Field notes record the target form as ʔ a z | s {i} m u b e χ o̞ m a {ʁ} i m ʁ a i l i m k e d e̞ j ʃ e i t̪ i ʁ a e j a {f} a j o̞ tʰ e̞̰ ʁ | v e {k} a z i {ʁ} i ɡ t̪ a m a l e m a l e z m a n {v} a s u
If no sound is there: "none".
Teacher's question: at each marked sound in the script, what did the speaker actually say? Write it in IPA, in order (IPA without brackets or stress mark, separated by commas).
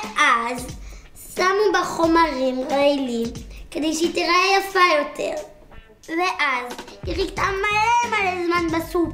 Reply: a, ʁ, f, ʔ, ʁ, b